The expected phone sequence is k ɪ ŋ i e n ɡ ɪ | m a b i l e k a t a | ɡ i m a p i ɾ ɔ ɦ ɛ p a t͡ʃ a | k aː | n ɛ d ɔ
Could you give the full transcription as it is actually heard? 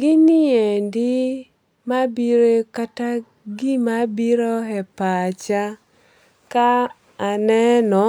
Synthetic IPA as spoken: ɡ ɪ n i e n d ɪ | m a b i ɾ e k a t a | ɡ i m a b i ɾ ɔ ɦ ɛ p a t͡ʃ a | k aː | n ɛ n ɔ